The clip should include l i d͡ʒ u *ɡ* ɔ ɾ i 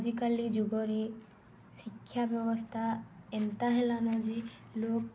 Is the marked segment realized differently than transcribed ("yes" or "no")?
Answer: no